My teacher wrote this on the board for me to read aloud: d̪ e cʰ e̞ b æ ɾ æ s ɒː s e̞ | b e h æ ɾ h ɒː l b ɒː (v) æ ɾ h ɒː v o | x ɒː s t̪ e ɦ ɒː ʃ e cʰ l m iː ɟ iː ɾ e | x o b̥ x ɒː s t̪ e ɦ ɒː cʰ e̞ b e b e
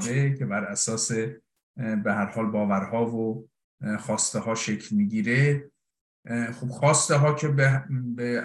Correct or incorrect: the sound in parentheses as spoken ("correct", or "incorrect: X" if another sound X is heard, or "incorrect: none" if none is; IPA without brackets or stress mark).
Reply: correct